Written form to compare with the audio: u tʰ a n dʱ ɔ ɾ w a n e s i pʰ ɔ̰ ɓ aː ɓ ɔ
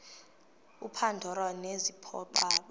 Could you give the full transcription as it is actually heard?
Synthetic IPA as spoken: u pʰ a n dʱ ɔ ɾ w a n e z i pʰ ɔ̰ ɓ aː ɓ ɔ